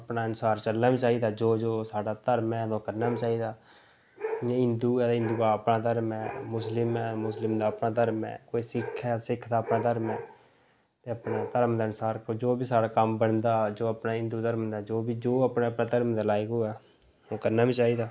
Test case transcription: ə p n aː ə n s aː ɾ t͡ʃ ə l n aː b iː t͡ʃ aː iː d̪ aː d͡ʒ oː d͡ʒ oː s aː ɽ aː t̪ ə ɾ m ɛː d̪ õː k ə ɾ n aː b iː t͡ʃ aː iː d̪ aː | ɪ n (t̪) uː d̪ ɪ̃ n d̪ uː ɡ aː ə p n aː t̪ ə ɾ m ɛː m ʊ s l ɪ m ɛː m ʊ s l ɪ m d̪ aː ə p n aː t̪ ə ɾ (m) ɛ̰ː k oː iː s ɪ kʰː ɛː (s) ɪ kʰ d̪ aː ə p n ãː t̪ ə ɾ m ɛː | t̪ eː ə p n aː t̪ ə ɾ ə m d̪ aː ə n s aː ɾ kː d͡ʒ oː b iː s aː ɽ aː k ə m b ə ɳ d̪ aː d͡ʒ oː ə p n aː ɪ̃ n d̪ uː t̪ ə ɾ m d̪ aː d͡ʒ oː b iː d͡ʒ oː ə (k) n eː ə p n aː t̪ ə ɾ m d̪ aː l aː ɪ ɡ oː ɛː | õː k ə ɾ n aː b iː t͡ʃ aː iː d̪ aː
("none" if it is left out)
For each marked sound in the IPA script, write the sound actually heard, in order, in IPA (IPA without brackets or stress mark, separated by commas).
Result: d̪, m, s, p